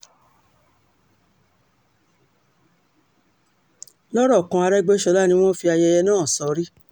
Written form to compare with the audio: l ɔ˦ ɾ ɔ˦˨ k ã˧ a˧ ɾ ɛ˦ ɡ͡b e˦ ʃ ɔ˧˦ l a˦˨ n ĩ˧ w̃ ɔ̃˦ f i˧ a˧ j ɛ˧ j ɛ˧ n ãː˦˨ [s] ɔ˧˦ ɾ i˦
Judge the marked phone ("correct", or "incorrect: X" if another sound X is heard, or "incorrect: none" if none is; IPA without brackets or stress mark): correct